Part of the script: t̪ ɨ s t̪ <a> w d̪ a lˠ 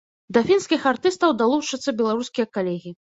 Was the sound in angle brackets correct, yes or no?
no